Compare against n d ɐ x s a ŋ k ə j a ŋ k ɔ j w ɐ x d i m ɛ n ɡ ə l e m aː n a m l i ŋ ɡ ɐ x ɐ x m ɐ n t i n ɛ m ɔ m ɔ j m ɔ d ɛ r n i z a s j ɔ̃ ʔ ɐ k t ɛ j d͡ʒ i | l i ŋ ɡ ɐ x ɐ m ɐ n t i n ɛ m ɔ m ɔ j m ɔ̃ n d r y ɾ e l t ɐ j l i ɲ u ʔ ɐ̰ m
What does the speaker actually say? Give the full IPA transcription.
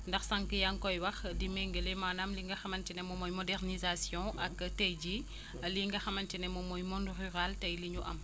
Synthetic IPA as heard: n d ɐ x s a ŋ k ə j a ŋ k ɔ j w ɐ x d i m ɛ ŋ ɡ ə l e m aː n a m l i ŋ ɡ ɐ x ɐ m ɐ n t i n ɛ m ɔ m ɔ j m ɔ d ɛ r n i z a s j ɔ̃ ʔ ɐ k t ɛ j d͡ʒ i | l i ŋ ɡ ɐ x ɐ m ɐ n t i n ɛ m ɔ m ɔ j m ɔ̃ n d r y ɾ a l t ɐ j l i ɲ u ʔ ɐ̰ m